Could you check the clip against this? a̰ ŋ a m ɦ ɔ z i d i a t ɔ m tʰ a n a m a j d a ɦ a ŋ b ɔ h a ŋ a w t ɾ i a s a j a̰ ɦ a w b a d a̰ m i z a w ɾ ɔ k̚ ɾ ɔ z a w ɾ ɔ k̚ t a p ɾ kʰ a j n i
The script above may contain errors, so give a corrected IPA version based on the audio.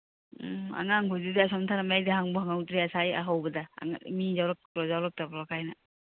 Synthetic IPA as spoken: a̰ ŋ a ŋ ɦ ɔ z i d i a s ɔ m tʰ a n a m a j d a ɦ a ŋ b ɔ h a ŋ a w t ɾ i a s a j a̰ ɦ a w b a d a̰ m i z a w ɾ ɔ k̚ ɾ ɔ z a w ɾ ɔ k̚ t a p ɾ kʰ a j n a